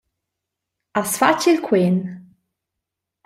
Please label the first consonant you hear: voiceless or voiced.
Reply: voiceless